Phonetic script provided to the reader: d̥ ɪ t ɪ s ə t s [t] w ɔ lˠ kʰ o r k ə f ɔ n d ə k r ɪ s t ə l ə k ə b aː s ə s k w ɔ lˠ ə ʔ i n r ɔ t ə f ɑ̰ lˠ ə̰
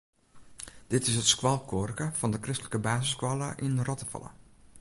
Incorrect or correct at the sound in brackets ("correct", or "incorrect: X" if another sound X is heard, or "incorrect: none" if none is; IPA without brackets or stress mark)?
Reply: incorrect: k